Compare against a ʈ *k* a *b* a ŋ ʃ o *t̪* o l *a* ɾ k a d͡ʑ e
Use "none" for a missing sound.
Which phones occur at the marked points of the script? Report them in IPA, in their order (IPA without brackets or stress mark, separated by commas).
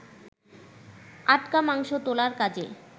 k, m, t̪, a